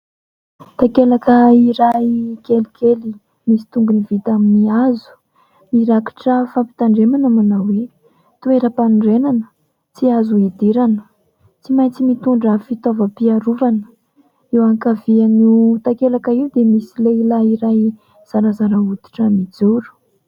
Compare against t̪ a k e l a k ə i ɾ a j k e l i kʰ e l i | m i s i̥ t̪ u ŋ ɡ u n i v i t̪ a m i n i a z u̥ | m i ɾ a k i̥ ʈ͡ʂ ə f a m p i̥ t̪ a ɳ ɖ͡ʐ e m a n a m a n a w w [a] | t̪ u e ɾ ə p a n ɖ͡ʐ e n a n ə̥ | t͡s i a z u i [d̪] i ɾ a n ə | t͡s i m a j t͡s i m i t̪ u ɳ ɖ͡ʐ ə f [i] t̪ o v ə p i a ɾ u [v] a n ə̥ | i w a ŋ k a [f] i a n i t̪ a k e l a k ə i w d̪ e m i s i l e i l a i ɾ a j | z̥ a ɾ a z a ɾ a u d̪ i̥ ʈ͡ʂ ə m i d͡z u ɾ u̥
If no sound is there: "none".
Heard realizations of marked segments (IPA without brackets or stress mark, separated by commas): e, d̪, i, v, v